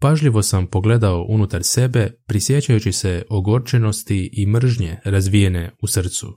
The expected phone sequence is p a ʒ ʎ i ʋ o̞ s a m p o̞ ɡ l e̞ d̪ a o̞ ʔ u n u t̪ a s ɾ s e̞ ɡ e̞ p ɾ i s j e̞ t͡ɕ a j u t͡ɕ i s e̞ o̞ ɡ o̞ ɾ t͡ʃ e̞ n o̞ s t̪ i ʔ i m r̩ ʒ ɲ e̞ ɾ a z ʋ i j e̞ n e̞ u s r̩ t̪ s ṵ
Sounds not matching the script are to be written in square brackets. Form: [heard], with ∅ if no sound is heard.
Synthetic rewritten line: p a ʒ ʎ i ʋ o̞ s a m p o̞ ɡ l e̞ d̪ a o̞ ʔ u n u t̪ a [∅] ɾ s e̞ [b] e̞ p ɾ i s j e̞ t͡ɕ a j u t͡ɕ i s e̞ o̞ ɡ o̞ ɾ t͡ʃ e̞ n o̞ s t̪ i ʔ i m r̩ ʒ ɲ e̞ ɾ a z ʋ i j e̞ n e̞ u s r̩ t̪ s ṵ